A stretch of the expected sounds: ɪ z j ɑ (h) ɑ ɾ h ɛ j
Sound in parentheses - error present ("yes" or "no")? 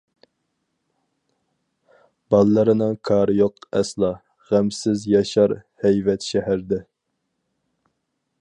yes